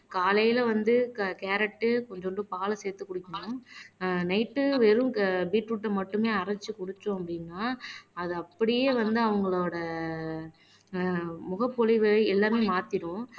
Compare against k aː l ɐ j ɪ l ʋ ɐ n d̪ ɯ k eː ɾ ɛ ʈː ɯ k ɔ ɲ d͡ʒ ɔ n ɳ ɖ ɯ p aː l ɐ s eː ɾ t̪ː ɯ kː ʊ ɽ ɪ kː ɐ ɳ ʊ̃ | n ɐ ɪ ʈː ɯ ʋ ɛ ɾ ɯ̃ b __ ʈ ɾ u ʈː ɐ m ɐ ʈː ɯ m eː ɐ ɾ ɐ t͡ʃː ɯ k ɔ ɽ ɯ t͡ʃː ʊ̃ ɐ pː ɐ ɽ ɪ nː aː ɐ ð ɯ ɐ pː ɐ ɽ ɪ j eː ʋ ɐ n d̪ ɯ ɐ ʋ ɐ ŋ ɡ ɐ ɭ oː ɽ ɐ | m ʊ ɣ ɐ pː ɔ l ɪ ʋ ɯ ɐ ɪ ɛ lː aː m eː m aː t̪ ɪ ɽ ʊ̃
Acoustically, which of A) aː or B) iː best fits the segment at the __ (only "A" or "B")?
B